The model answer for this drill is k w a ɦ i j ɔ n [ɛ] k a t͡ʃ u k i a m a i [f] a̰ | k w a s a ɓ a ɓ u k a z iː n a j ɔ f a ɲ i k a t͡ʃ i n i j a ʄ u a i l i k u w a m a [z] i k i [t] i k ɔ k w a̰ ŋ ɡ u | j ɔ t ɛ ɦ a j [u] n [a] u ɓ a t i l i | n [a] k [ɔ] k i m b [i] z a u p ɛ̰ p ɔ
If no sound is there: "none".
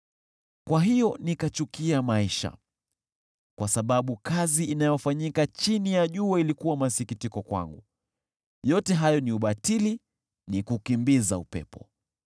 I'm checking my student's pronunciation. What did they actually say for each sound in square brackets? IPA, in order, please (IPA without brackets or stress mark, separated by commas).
i, ʃ, s, t, ɔ, i, i, u, i